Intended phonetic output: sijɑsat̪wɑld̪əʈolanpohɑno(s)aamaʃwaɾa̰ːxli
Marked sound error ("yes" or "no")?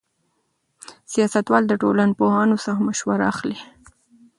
no